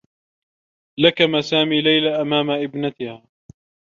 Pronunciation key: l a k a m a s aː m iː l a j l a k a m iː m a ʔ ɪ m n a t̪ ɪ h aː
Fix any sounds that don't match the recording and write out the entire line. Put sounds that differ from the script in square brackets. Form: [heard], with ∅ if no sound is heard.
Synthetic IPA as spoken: l a k a m a s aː m iː l a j l a [ʔ] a m [aː] m a ʔ ɪ [b] n a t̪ ɪ h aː